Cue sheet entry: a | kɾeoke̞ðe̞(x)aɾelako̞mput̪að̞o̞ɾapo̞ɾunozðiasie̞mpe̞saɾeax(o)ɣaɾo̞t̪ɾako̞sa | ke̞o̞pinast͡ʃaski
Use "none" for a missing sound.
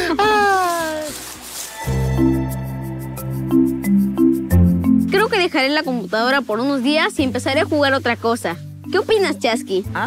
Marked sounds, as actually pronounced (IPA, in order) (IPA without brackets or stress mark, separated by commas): x, u